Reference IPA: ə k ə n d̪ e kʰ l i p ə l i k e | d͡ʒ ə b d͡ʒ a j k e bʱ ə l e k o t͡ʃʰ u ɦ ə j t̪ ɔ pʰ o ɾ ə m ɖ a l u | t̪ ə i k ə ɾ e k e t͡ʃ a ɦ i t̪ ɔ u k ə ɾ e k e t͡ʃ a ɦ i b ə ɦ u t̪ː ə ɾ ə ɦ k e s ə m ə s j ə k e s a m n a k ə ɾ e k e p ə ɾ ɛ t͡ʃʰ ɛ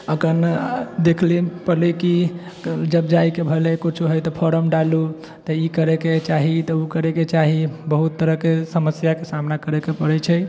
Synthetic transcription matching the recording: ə k ə n d̪ e kʰ l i p ə l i k i | d͡ʒ ə b d͡ʒ a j k e bʱ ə l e k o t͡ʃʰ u ɦ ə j t̪ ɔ pʰ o ɾ ə m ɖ a l u | t̪ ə i k ə ɾ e k e t͡ʃ a ɦ i t̪ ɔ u k ə ɾ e k e t͡ʃ a ɦ i b ə ɦ u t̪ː ə ɾ ə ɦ k e s ə m ə s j a k e s a m n a k ə ɾ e k e p ə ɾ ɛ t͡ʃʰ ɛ